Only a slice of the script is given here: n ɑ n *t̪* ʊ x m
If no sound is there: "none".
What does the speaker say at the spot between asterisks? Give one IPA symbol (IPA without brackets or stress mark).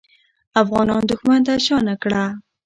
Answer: d̪